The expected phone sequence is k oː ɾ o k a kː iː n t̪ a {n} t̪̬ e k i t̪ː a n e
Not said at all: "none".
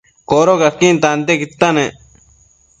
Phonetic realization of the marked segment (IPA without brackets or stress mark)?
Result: n